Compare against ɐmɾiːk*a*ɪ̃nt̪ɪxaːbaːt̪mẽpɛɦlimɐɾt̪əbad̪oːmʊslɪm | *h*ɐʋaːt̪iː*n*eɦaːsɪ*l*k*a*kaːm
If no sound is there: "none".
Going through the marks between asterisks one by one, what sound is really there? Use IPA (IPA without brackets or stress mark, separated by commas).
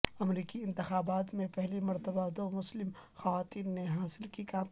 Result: i, x, nː, l, i